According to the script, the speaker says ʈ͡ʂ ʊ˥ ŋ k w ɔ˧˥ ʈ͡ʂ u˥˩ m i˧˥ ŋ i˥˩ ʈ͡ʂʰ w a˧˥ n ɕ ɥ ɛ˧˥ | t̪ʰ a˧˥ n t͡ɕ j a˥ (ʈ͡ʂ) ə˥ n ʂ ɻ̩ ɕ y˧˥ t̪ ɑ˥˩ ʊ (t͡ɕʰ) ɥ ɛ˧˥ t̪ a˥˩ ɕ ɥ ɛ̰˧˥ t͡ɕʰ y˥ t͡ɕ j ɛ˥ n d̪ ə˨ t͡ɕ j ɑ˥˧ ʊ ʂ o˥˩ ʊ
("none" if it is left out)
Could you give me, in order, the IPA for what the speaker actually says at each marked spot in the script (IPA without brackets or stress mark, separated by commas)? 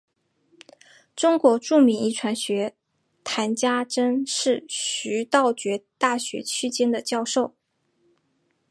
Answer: ʈ͡ʂ, t͡ɕ